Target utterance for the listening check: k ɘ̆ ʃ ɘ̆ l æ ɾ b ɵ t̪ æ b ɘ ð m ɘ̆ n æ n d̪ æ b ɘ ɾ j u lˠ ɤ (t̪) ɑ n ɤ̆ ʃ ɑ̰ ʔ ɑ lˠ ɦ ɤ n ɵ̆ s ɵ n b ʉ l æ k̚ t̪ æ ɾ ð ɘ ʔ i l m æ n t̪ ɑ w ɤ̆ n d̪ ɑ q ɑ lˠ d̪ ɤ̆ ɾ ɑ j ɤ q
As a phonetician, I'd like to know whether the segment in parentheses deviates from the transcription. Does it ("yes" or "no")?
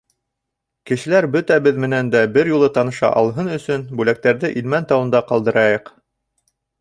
no